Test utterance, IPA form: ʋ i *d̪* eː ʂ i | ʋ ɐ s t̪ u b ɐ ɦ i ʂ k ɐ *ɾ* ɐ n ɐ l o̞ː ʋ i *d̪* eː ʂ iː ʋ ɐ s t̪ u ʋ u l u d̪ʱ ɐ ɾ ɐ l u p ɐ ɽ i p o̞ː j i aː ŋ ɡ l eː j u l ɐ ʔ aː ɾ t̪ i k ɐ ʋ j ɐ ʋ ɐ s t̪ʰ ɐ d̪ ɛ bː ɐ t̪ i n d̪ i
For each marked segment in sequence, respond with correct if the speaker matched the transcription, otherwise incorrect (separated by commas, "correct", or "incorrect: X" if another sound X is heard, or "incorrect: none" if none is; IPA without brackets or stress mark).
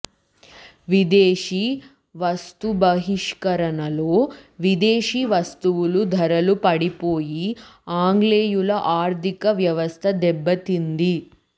correct, correct, correct